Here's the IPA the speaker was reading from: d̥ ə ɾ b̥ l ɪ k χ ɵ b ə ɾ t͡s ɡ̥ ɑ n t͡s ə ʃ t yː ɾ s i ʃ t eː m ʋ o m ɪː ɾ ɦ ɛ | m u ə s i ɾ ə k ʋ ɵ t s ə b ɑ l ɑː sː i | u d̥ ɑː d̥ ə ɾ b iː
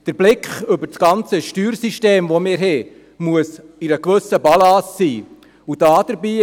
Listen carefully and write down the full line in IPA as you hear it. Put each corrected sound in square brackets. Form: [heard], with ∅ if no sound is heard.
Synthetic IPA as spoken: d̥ ə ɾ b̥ l ɪ k χ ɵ b ə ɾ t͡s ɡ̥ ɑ n t͡s ə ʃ t yː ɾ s i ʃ t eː m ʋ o m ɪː ɾ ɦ ɛ | m u ə s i ɾ ə k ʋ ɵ [∅] s ə b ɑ l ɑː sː [iː] | u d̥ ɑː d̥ ə ɾ b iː